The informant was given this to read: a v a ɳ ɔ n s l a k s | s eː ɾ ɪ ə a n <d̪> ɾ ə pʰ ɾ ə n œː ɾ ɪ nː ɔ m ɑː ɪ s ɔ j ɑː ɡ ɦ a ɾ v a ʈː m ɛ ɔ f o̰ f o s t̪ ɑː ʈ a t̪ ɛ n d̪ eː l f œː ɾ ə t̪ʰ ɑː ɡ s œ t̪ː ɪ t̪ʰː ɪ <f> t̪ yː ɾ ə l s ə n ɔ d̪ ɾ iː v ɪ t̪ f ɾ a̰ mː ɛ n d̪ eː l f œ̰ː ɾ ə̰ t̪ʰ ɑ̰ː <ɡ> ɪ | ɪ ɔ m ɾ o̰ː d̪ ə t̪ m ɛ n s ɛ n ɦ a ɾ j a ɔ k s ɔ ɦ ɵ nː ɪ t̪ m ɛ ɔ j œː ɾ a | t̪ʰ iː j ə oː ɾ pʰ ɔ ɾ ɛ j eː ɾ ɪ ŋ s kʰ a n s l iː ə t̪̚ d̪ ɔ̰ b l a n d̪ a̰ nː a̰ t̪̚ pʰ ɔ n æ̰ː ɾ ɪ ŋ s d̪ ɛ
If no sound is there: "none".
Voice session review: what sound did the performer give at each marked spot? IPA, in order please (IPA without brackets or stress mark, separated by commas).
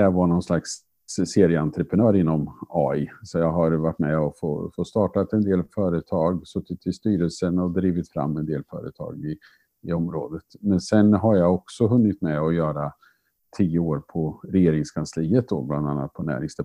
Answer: t̪, s, ɡ